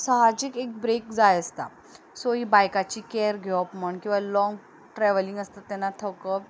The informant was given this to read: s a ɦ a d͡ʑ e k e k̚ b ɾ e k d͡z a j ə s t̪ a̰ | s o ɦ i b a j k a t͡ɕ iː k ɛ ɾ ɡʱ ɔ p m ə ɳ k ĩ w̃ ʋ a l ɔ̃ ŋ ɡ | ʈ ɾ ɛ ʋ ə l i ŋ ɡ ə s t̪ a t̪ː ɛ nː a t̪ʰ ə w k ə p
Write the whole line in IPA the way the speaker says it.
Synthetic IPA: s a ɦ a d͡ʑ i k e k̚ b ɾ e k d͡z a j ə s t̪ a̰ | s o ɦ i b a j k a t͡ɕ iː k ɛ ɾ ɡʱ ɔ p m ə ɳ k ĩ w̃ ʋ a l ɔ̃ ŋ ɡ | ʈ ɾ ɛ ʋ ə l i ŋ ɡ ə s t̪ a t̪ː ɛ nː a t̪ʰ ə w k ə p